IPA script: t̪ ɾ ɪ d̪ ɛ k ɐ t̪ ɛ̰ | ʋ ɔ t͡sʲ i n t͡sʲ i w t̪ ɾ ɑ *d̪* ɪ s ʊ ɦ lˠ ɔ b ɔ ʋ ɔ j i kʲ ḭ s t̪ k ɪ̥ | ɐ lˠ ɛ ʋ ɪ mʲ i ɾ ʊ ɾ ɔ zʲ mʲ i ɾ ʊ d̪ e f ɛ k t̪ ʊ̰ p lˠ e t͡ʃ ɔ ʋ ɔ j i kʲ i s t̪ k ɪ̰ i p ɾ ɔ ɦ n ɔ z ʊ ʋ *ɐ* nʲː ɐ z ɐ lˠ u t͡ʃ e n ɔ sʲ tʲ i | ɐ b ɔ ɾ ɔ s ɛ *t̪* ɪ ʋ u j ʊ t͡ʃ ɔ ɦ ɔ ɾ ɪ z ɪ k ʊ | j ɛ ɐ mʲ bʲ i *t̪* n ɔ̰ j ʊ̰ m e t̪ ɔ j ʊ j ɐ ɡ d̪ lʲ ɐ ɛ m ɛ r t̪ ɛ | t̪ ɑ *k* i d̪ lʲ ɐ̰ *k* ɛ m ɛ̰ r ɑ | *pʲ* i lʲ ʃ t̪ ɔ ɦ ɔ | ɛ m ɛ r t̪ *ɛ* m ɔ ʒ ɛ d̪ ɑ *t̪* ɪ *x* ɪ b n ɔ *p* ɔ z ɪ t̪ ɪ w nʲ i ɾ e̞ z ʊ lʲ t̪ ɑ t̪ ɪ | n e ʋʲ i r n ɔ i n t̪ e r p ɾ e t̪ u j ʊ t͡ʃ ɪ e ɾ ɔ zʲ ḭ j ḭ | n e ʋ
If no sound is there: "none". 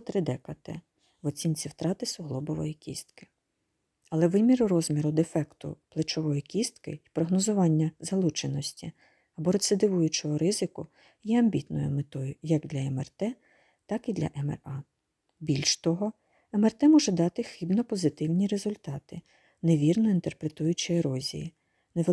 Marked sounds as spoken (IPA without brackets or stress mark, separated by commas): t̪, ɑ, d̪, t̪, k, ʔ, bʲ, ɛ, t̪, x, p